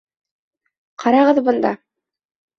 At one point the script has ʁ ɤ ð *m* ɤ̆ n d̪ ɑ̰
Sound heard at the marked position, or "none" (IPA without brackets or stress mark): b